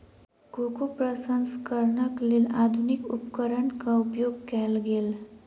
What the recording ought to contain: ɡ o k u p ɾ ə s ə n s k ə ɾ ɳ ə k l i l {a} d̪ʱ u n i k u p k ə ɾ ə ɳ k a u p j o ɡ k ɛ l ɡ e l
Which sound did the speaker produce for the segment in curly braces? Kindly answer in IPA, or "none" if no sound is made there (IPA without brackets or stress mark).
a